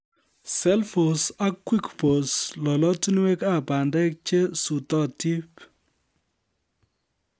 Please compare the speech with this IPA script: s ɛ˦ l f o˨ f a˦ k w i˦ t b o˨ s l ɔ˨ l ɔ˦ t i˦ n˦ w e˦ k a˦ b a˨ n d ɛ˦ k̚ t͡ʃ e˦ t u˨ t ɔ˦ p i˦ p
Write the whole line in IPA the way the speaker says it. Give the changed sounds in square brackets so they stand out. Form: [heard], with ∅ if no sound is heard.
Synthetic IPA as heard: s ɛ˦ l f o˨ [s] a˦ k w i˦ [k] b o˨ s l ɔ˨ l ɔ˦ t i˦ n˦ w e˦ k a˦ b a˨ n d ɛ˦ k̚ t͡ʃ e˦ [s] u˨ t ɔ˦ [t] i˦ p

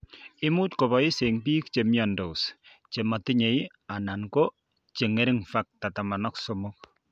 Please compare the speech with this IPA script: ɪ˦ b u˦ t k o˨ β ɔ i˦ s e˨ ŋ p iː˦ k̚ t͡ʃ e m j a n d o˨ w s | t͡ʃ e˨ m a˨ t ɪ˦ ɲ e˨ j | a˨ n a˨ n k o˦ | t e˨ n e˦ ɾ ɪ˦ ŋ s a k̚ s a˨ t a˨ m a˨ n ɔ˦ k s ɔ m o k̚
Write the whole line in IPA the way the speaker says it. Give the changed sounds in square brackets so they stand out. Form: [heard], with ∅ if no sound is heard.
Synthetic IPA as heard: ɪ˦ [m] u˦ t k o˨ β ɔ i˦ s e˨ ŋ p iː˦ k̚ t͡ʃ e m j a n d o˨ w s | t͡ʃ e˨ m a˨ t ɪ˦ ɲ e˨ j | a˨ n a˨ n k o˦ | [t͡ʃ] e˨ [ŋ] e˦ ɾ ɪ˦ ŋ [f] a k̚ [t] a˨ t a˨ m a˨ n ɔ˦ k s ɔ m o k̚

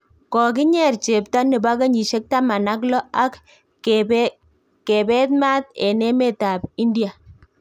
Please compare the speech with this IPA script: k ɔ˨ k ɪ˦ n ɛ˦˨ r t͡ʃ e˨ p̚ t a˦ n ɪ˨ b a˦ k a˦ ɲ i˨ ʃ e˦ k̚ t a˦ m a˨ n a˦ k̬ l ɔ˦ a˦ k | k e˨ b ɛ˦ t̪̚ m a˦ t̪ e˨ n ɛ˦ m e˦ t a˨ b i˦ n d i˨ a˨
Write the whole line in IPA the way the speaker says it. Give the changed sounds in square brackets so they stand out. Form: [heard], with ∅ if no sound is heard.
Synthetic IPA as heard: k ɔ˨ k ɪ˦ [ɲ] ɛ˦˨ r t͡ʃ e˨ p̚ t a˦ n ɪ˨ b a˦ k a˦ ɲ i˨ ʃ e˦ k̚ t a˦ m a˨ n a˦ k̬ l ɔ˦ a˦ k | k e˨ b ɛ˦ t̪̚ m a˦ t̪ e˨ n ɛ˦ m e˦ t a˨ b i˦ n d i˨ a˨

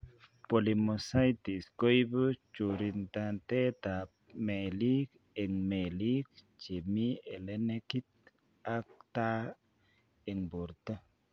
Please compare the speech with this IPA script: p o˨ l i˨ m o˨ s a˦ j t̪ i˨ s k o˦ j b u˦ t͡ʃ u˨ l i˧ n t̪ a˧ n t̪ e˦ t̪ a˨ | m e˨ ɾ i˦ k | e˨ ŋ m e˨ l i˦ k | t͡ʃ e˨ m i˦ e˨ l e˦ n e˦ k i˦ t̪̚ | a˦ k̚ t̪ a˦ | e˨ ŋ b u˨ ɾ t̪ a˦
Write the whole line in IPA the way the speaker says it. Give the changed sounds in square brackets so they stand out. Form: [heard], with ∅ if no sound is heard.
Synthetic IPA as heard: p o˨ l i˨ m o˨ s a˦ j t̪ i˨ s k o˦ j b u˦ t͡ʃ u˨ [ɾ] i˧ n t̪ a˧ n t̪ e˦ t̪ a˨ | m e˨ [l] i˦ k | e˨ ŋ m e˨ l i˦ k | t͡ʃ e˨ m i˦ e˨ l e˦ n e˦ k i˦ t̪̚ | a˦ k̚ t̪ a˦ | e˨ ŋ b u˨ ɾ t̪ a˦

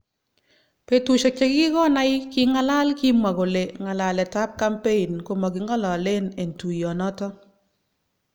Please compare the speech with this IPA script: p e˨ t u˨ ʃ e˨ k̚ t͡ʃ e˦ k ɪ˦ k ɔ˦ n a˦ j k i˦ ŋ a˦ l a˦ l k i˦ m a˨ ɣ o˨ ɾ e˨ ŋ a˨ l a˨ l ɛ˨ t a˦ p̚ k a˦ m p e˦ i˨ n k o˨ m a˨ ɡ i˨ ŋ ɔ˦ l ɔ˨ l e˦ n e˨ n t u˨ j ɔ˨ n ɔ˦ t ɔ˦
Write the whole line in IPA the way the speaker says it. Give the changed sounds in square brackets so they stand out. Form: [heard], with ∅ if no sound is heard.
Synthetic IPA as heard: p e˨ t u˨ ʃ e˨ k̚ t͡ʃ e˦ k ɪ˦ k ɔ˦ n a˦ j k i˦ ŋ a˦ l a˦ l k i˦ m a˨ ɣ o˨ [l] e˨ ŋ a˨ l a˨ l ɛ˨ t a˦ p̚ k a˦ m p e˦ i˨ n k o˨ m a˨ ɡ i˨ ŋ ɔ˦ l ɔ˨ l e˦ n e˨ n t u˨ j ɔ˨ n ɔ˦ t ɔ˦

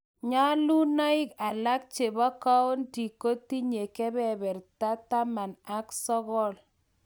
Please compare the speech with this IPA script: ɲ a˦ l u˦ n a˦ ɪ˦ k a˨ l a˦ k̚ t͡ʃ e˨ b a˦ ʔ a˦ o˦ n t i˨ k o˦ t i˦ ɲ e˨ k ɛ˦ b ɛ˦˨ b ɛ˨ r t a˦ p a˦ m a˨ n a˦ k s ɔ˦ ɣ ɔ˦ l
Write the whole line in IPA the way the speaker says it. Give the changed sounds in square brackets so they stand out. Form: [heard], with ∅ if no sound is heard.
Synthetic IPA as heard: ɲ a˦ l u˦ n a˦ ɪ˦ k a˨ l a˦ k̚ t͡ʃ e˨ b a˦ [k] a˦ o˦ n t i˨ k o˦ t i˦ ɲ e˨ k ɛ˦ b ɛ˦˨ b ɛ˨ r t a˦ [t] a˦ m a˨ n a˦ k s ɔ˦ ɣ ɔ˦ l

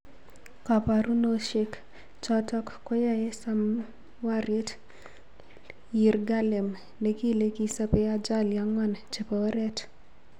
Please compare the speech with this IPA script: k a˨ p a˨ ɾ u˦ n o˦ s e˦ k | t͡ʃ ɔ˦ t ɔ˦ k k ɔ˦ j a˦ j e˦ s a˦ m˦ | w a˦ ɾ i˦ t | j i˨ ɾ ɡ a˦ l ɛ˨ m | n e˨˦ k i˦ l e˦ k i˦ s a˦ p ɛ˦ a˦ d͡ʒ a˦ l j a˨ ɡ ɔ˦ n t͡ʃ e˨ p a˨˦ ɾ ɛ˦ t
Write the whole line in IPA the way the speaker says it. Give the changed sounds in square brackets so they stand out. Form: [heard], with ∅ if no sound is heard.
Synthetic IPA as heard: k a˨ p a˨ ɾ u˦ n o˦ [ʃ] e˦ k | t͡ʃ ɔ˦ t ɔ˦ k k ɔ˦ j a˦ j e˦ s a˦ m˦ | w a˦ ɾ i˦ t | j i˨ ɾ ɡ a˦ l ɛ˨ m | n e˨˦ k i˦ l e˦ k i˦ s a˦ p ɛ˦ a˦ d͡ʒ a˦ l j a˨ [ŋ] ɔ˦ n t͡ʃ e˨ p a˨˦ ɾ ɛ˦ t

